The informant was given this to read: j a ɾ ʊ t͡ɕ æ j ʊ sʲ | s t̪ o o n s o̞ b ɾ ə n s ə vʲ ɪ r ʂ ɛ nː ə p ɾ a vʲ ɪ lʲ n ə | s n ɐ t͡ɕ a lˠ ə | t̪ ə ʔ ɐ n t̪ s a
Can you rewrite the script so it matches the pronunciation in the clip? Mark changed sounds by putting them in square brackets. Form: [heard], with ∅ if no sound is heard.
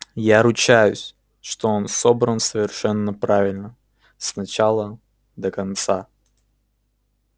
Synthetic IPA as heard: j a ɾ ʊ t͡ɕ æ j ʊ sʲ | [ʂ] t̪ o o n s o̞ b ɾ ə n s ə vʲ ɪ r ʂ ɛ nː ə p ɾ a vʲ ɪ lʲ n ə | s n ɐ t͡ɕ a lˠ ə | [d̪] ə [k] ɐ n t̪ s a

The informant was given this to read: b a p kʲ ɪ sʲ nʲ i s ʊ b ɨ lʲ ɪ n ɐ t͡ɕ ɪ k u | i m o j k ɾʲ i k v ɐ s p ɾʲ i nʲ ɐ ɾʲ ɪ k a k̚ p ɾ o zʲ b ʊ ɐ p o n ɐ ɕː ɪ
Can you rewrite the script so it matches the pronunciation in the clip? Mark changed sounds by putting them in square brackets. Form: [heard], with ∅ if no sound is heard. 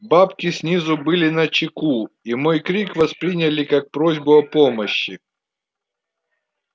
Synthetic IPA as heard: b a p kʲ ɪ sʲ nʲ i [z] ʊ b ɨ lʲ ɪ n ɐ t͡ɕ ɪ k u | i m o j k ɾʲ i k v ɐ s p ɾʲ i nʲ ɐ [lʲ] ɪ k a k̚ p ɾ o zʲ b ʊ ɐ p o [m] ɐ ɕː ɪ

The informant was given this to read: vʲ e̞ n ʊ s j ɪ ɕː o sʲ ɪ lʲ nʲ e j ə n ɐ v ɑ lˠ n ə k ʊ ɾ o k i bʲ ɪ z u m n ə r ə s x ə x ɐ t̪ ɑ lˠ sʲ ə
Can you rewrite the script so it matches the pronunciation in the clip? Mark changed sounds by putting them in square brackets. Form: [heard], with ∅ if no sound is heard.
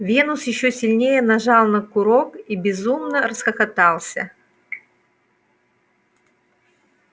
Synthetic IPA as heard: vʲ e̞ n ʊ s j ɪ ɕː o sʲ ɪ lʲ nʲ e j ə n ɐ [ʐ] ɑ lˠ n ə k ʊ ɾ o k i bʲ ɪ z u m n ə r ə s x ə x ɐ t̪ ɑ lˠ sʲ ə

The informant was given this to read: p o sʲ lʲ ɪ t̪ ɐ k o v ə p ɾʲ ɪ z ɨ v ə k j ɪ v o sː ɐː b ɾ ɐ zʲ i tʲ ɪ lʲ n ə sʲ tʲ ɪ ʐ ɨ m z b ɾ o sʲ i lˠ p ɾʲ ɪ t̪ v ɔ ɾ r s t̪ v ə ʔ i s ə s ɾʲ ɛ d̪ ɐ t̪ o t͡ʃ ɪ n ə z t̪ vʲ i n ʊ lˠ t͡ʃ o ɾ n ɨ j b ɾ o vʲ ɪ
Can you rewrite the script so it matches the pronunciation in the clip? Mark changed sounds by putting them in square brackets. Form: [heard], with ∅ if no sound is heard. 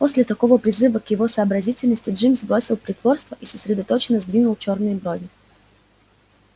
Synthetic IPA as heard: p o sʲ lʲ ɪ t̪ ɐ k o v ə p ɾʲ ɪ z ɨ v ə k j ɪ v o [s] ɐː b ɾ ɐ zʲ i tʲ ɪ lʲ n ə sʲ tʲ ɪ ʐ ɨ m z b ɾ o sʲ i lˠ p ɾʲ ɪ t̪ v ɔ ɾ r s t̪ v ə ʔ i s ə s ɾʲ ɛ d̪ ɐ t̪ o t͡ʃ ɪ n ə z [d̪] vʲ i n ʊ lˠ t͡ʃ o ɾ n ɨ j b ɾ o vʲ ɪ

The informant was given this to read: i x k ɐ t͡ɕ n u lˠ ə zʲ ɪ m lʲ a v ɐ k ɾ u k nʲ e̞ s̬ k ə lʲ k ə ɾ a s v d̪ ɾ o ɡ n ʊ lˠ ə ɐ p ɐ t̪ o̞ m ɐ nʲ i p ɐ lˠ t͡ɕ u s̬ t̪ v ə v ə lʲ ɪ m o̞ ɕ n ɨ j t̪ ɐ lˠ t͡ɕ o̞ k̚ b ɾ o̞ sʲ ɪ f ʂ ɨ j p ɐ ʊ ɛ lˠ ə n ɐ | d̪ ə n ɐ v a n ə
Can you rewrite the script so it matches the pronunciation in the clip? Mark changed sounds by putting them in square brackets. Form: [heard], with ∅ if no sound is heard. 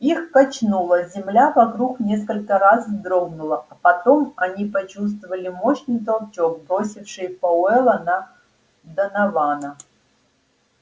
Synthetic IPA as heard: i x k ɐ t͡ɕ n u lˠ ə zʲ ɪ m lʲ a v ɐ k ɾ u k nʲ e̞ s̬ k ə lʲ k ə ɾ a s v d̪ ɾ o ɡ n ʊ lˠ ə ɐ p ɐ t̪ o̞ m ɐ nʲ i p ɐ [∅] t͡ɕ u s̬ t̪ v ə v ə lʲ ɪ m o̞ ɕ n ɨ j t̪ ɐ lˠ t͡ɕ o̞ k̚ b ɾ o̞ sʲ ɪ f ʂ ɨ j p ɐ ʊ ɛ lˠ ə n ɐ | d̪ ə n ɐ v a n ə

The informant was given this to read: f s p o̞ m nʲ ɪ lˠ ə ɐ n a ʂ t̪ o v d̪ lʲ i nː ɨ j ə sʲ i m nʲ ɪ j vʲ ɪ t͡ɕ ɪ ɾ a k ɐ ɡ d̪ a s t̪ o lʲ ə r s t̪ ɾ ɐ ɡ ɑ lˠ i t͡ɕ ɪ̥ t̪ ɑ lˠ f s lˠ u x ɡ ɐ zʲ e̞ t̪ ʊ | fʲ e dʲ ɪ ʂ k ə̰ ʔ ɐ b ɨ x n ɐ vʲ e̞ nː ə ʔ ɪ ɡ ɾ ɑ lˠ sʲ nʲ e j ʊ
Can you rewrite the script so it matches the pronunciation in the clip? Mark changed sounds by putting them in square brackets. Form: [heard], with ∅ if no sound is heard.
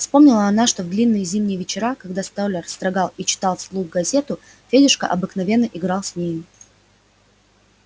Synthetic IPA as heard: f s p o̞ m nʲ ɪ lˠ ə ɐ n a ʂ t̪ o v d̪ lʲ i nː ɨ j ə [zʲ] i m nʲ ɪ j vʲ ɪ t͡ɕ ɪ ɾ a k ɐ ɡ d̪ a s t̪ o lʲ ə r s t̪ ɾ ɐ ɡ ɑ lˠ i t͡ɕ ɪ̥ t̪ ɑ lˠ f s lˠ u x ɡ ɐ zʲ e̞ t̪ ʊ | fʲ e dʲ ɪ ʂ k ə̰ ʔ ɐ b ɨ [k] n ɐ vʲ e̞ nː ə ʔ ɪ ɡ ɾ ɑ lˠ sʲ nʲ e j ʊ

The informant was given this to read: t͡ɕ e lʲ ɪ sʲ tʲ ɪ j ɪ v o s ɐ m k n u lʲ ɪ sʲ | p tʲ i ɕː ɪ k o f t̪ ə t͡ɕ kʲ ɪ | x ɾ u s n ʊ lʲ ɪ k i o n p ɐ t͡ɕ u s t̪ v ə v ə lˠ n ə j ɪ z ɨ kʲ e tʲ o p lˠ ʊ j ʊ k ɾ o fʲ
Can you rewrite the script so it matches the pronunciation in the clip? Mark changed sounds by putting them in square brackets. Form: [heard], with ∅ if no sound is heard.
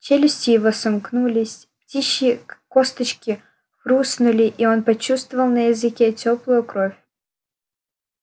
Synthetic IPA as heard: t͡ɕ e lʲ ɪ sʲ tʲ ɪ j ɪ v o s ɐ m k n u lʲ ɪ sʲ | p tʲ i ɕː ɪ k o [s] t̪ ə t͡ɕ kʲ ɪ | x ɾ u s n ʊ lʲ ɪ [ʔ] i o n p ɐ t͡ɕ u s t̪ v ə v ə lˠ n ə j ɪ z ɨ kʲ e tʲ o p lˠ ʊ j ʊ k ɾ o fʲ

